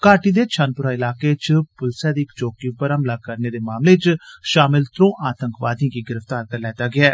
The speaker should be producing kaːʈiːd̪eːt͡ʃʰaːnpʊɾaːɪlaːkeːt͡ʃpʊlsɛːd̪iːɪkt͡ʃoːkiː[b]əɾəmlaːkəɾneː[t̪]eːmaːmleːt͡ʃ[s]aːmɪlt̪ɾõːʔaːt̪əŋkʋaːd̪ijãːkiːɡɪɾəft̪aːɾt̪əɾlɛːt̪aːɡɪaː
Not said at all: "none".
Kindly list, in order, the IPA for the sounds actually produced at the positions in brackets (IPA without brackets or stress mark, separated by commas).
p, d̪, ʃ